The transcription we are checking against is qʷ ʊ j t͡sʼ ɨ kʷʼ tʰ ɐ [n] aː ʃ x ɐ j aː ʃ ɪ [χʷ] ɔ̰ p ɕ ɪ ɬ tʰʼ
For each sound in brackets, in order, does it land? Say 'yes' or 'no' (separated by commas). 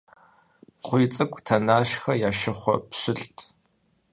yes, yes